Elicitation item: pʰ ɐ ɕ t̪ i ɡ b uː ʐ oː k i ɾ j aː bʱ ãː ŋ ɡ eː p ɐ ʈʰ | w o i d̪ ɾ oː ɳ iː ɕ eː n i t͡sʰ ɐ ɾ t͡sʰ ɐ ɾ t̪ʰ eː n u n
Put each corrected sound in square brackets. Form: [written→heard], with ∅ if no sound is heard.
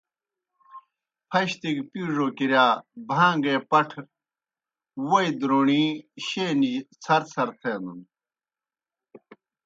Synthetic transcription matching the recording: pʰ ɐ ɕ t̪ i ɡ [b→p] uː ʐ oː k i ɾ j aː bʱ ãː ŋ ɡ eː p ɐ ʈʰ | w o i d̪ ɾ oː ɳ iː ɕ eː n i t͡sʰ ɐ ɾ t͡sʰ ɐ ɾ t̪ʰ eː n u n